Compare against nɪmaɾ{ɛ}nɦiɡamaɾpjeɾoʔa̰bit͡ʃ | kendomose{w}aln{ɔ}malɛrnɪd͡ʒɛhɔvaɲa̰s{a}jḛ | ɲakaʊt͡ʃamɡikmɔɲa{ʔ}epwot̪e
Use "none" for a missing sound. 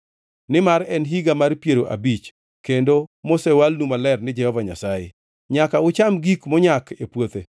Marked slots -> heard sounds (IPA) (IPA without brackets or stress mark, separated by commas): ɛ, w, u, a, k